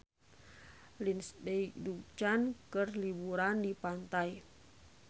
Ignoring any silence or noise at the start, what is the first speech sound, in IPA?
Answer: l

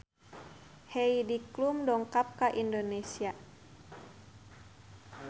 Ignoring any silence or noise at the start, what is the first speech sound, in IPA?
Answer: h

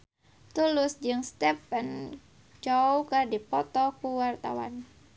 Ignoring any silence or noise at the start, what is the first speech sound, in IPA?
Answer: t̪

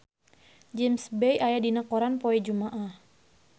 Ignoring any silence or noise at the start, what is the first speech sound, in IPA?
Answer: d͡ʒ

